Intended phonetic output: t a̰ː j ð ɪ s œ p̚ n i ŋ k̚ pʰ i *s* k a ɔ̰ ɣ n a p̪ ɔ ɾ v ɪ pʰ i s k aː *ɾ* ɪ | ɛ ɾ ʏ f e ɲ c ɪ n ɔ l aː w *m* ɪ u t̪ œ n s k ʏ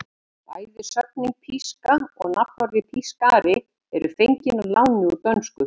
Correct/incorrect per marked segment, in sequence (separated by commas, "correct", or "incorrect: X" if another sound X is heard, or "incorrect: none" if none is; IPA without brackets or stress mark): correct, correct, incorrect: n